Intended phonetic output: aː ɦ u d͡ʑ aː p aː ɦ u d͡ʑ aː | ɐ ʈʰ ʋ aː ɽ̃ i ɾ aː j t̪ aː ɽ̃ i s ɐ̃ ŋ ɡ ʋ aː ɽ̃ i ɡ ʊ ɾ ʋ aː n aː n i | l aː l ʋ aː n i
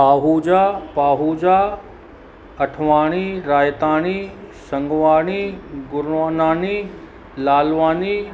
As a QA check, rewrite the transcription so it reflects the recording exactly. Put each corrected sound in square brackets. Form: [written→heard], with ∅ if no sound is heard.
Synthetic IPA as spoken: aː ɦ u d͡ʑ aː p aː ɦ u d͡ʑ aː | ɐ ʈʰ ʋ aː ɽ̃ i ɾ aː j t̪ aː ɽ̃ i s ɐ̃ ŋ ɡ ʋ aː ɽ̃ i ɡ ʊ ɾ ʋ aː n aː n i | l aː l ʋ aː n i